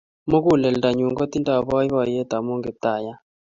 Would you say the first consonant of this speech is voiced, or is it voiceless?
voiced